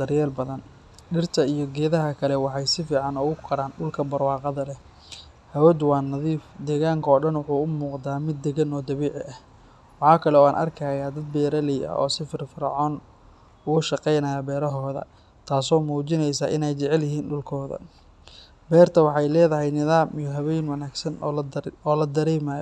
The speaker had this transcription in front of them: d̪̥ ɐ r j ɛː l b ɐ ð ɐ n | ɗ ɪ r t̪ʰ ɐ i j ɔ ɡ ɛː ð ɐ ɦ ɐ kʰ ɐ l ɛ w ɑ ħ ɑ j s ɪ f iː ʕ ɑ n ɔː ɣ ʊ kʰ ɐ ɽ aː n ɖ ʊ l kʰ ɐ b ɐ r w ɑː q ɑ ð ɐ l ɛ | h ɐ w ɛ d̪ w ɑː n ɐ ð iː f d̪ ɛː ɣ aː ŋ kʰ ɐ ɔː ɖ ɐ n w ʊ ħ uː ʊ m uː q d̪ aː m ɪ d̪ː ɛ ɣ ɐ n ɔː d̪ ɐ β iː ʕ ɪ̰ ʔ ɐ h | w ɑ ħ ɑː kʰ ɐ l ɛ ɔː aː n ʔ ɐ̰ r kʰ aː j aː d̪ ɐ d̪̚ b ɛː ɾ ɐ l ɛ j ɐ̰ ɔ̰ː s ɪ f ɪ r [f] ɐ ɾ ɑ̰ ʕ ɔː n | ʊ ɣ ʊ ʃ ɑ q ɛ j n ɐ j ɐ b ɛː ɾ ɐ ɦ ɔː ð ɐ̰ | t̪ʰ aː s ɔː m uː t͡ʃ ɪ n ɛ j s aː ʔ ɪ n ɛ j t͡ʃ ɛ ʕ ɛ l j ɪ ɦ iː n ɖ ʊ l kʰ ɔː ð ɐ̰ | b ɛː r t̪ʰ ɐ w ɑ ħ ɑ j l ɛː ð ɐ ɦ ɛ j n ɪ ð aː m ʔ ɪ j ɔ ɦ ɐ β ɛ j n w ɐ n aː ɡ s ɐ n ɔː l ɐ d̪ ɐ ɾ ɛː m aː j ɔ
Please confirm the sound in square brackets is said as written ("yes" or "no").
yes